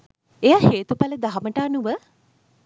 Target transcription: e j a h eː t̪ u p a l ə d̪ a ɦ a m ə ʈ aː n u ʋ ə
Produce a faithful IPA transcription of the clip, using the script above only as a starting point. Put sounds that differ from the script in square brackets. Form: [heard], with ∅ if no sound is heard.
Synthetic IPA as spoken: e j a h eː t̪ u p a l ə d̪ a ɦ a m ə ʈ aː n u ʋ ə